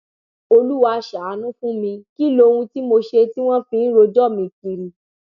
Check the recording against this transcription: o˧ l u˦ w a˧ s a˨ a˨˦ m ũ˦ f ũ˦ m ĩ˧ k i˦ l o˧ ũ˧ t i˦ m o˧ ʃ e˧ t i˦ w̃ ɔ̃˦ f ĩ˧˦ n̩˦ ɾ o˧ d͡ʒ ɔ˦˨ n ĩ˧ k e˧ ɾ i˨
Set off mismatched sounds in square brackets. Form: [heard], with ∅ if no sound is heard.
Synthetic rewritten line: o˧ l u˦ w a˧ [ʃ] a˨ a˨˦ [n] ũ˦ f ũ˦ m ĩ˧ k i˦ l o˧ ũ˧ t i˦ m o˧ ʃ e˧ t i˦ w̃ ɔ̃˦ f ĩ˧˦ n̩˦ ɾ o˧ d͡ʒ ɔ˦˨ [m] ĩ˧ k [i˧] ɾ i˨

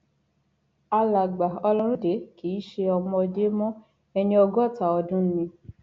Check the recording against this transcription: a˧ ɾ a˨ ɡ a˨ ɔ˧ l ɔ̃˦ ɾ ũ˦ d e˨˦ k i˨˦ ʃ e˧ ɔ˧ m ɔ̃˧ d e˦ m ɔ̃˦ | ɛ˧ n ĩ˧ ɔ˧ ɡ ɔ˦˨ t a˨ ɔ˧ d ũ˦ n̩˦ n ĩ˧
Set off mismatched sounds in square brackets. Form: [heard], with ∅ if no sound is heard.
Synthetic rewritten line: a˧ [l] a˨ [ɡ͡b] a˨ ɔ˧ l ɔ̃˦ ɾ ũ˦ d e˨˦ k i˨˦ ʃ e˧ ɔ˧ m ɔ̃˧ d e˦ m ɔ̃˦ | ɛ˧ n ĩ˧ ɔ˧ ɡ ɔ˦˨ t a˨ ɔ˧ d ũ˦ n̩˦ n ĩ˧

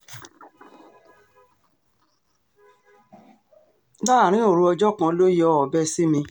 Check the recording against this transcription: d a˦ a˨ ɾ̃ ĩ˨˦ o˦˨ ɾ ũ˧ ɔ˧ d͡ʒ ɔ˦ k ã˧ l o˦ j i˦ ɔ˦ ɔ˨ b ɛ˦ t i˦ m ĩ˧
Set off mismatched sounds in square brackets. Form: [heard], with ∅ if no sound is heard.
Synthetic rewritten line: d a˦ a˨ ɾ̃ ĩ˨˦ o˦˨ ɾ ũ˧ ɔ˧ d͡ʒ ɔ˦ k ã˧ l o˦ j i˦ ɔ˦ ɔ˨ b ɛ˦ [s] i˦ m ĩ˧

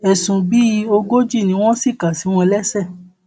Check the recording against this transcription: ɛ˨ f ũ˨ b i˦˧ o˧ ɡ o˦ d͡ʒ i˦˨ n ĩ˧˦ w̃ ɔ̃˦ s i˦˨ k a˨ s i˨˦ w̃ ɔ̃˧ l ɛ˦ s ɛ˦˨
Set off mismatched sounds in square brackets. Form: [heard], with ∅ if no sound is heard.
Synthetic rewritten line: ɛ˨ [s] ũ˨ b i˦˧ o˧ ɡ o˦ d͡ʒ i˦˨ n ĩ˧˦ w̃ ɔ̃˦ s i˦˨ k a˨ s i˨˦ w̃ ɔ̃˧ l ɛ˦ s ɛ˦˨

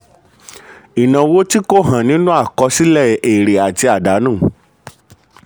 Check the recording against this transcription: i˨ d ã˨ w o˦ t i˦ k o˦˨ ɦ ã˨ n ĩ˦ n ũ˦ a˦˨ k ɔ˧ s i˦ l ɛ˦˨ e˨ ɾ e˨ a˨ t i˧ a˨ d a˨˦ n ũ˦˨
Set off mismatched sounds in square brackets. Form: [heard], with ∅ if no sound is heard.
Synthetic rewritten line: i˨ [n] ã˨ w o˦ t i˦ k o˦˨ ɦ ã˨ n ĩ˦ n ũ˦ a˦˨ k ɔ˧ s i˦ l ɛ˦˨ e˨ ɾ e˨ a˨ t i˧ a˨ d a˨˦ n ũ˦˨

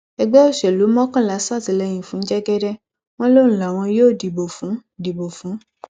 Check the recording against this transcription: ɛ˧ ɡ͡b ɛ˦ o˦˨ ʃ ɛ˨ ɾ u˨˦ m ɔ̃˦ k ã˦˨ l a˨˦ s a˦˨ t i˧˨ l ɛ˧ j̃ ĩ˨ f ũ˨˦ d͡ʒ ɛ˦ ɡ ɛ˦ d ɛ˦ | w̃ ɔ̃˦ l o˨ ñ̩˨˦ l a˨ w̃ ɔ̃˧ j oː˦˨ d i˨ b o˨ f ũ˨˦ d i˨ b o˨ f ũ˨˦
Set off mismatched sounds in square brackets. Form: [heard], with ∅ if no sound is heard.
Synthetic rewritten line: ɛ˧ ɡ͡b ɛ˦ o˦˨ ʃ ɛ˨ [l] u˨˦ m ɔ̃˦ k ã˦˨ l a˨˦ s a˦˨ t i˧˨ l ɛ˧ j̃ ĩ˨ f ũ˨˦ d͡ʒ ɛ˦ ɡ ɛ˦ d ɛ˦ | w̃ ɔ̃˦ l [o˦] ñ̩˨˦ l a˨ w̃ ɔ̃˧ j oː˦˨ d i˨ b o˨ f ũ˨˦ d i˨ b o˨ f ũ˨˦

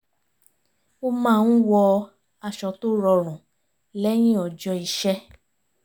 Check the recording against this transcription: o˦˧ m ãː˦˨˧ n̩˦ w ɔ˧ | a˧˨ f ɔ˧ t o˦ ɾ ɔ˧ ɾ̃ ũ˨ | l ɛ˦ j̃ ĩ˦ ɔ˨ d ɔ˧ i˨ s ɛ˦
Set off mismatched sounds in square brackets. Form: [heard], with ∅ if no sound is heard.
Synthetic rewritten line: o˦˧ m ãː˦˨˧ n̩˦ w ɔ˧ | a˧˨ [ʃ] ɔ˧ t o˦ ɾ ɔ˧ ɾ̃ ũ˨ | l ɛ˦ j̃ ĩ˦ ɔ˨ [d͡ʒ] ɔ˧ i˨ [ʃ] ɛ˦

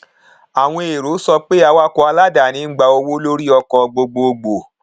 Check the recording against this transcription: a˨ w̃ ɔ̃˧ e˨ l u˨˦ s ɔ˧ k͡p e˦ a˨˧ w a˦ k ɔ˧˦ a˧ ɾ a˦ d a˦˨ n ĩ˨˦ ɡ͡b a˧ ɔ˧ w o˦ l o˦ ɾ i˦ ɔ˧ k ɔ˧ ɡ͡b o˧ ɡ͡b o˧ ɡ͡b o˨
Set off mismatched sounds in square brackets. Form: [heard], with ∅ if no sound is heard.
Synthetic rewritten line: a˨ w̃ ɔ̃˧ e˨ [ɾ] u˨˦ s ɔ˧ k͡p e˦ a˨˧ w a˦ k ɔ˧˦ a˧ [l] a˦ d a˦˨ n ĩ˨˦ ɡ͡b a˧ [o˧] w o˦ l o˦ ɾ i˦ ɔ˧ k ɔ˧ ɡ͡b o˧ ɡ͡b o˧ ɡ͡b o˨

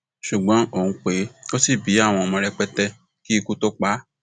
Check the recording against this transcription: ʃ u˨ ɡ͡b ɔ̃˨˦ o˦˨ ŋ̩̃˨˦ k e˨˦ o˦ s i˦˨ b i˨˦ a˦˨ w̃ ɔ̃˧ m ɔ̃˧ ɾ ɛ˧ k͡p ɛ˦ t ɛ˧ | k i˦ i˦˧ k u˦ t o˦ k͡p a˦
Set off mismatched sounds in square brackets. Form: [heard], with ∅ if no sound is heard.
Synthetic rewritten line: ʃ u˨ ɡ͡b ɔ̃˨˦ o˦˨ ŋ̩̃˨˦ [k͡p] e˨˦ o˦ s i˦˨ b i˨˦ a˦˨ w̃ ɔ̃˧ m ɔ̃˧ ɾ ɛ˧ k͡p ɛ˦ t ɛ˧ | k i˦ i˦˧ k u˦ t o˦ k͡p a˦

